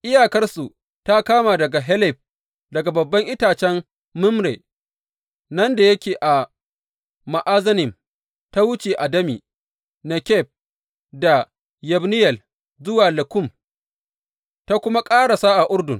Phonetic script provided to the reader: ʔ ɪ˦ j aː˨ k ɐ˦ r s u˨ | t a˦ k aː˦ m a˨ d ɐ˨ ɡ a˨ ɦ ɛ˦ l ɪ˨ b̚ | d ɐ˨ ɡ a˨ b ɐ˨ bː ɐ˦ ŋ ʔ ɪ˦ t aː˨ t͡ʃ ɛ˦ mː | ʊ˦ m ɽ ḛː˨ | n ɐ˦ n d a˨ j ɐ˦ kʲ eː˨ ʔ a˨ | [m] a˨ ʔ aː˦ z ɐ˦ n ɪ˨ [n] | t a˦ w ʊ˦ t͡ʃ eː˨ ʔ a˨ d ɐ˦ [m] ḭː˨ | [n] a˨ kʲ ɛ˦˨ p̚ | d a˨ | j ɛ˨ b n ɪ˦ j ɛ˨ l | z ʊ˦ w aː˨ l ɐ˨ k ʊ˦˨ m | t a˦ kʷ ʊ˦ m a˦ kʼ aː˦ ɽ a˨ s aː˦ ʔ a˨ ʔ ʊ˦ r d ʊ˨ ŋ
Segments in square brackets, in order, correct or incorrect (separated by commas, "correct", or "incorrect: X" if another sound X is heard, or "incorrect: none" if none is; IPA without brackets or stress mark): correct, incorrect: m, correct, correct